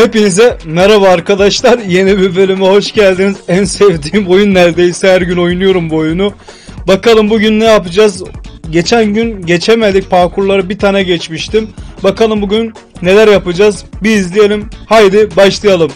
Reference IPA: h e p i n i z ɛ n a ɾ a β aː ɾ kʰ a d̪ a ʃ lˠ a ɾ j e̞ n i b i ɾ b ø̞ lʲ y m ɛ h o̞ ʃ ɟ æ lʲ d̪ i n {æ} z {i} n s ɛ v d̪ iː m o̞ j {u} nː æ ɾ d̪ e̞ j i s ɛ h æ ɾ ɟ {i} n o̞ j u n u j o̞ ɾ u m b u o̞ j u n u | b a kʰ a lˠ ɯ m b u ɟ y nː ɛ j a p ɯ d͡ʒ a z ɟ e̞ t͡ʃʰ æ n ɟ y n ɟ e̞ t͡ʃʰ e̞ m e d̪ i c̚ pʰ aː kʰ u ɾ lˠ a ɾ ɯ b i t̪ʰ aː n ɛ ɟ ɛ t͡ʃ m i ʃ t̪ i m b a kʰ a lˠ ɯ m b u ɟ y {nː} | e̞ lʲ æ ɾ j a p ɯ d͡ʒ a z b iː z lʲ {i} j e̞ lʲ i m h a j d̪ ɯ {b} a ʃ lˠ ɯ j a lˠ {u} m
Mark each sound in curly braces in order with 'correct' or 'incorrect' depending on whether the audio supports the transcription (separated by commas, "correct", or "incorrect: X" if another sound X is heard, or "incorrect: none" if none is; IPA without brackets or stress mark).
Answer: incorrect: i, incorrect: æ, correct, incorrect: y, correct, correct, correct, incorrect: ɯ